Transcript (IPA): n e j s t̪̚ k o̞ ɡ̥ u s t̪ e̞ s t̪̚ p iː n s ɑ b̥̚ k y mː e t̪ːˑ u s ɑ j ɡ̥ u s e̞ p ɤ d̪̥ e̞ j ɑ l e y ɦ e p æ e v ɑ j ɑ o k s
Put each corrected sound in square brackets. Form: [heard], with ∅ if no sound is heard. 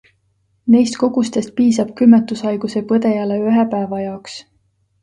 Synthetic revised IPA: n e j s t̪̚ k o̞ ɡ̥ u s t̪ e̞ s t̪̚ p iː [∅] s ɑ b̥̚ k y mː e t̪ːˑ u s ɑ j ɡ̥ u s e̞ p ɤ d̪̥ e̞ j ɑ l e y ɦ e p æ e v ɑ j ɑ o k s